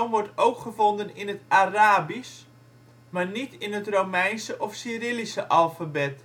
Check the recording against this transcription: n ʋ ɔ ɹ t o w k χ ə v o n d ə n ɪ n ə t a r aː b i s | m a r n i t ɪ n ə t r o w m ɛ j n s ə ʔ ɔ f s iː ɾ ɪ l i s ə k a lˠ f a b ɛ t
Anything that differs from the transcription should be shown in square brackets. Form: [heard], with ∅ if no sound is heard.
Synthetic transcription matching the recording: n ʋ ɔ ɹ t o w k χ ə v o n d ə n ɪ n ə t a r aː b i s | m a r n i t ɪ n ə t r o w m ɛ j n s ə ʔ ɔ f s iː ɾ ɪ l i s ə [ʔ] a lˠ f a b ɛ t